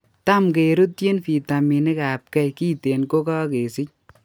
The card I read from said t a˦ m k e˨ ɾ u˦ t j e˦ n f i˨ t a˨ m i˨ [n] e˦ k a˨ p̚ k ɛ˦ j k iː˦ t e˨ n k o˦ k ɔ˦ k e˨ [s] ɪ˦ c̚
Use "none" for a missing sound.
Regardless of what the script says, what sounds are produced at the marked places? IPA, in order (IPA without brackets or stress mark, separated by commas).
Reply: n, s